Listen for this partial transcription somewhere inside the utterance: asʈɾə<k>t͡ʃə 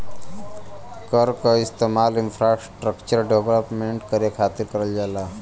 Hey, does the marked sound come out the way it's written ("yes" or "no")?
yes